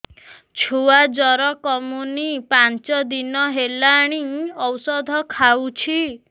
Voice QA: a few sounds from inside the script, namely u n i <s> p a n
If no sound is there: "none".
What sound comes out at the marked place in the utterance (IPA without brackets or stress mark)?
none